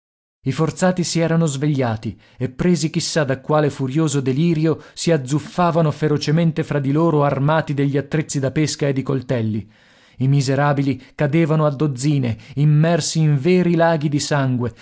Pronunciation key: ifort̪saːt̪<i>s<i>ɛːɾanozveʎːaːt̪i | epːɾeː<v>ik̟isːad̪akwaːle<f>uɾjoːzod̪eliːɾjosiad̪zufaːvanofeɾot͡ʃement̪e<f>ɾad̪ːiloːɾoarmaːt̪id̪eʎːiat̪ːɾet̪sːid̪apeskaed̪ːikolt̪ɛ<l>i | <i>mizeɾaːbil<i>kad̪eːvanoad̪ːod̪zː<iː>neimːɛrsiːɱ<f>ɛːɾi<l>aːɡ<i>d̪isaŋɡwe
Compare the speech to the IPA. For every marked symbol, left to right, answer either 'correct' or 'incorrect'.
correct, correct, incorrect: z, correct, correct, incorrect: lː, correct, correct, correct, incorrect: v, correct, correct

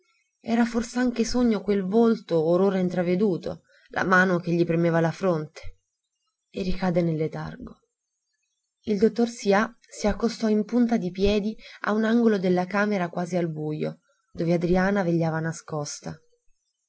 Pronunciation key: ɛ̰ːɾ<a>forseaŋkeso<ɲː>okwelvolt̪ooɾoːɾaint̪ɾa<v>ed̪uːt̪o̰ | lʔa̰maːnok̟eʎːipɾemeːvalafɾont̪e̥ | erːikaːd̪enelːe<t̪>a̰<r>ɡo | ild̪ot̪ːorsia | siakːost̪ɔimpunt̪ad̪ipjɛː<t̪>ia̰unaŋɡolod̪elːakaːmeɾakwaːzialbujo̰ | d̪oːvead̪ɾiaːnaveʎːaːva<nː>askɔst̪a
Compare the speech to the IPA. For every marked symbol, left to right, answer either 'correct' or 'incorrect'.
correct, correct, correct, correct, correct, incorrect: d̪, incorrect: n

